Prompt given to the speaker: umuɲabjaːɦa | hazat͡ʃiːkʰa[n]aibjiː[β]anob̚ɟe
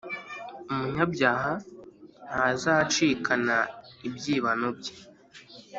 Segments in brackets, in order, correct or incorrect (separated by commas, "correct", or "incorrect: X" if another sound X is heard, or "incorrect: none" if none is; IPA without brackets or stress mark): correct, correct